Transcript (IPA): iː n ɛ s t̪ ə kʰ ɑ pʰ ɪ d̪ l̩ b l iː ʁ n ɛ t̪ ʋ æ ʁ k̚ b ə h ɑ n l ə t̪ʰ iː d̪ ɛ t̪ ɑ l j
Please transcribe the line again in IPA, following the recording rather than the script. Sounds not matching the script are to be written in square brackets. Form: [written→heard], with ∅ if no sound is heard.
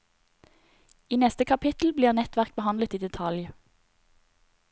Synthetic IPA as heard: iː n ɛ s t̪ ə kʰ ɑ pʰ ɪ [d̪→t̪] l̩ b l iː ʁ n ɛ t̪ ʋ æ ʁ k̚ b ə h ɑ n l ə [t̪ʰ→t̪] iː d̪ ɛ [t̪→t̪ʰ] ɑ l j